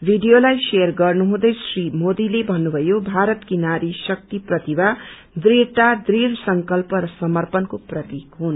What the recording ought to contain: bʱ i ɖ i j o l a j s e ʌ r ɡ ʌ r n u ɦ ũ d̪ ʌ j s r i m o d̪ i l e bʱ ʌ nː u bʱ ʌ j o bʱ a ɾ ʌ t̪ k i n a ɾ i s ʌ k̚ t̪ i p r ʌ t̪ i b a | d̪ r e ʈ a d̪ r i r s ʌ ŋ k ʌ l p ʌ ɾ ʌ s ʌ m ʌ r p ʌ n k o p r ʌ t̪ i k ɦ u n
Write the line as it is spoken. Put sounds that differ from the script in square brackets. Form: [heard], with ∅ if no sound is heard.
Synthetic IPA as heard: bʱ i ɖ i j o l a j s e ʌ r ɡ ʌ r n u ɦ ũ d̪ ʌ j s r i m o d̪ i l e bʱ ʌ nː u bʱ ʌ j o bʱ a ɾ ʌ t̪ k i n a ɾ i s ʌ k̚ t̪ i p r ʌ t̪ i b a | d̪ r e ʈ a d̪ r i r s ʌ ŋ k ʌ l p ʌ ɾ ʌ s ʌ m ʌ r p ʌ n k o p r ʌ t̪ i k ɦ u n

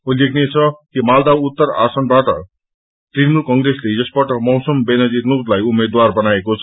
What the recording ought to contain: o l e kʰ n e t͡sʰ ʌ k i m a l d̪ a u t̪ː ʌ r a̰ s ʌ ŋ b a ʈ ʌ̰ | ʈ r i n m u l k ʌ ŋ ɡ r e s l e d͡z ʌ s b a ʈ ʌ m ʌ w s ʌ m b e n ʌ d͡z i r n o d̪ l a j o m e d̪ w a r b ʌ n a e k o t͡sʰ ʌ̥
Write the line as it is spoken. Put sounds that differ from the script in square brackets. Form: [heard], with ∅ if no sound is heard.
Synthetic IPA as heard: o l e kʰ n e t͡sʰ ʌ k i m a l d̪ a u t̪ː ʌ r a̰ s ʌ [n] b a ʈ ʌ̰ | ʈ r i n m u l k ʌ ŋ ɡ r e s l e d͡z ʌ s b a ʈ ʌ m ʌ w s ʌ m b e n ʌ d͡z i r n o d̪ l a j [u] m e d̪ w a r b ʌ n a e k o t͡sʰ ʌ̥

